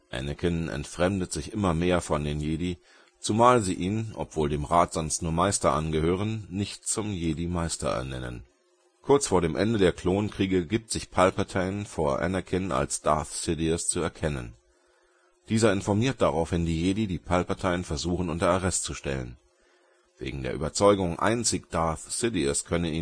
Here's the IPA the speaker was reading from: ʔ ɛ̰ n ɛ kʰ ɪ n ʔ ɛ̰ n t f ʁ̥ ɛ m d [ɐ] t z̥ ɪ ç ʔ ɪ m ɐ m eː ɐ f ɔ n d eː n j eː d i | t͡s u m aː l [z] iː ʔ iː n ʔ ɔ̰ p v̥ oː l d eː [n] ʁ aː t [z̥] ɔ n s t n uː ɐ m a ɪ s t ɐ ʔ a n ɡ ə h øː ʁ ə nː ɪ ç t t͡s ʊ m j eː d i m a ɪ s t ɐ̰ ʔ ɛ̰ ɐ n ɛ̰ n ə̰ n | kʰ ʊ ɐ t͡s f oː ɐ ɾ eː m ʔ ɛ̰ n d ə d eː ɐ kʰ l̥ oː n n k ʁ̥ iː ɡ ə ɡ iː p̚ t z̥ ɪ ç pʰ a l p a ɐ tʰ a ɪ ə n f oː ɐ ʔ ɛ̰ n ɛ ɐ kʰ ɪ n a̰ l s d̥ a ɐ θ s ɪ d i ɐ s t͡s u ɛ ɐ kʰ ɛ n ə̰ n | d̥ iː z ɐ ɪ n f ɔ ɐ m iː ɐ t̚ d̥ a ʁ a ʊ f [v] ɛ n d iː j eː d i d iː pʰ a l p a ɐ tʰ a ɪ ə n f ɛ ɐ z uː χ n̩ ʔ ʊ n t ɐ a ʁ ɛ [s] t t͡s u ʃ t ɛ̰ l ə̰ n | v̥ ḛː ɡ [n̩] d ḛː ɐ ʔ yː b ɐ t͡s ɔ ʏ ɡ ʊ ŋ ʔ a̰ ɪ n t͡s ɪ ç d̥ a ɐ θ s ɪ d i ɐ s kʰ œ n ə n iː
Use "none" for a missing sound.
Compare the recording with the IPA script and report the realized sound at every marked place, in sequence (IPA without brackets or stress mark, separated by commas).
ə, z, m, z̥, v, s, ŋ̩